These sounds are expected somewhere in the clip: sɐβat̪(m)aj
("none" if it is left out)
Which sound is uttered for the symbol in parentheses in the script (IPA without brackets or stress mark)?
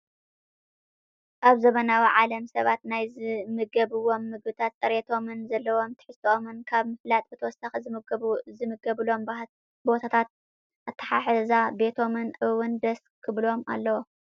n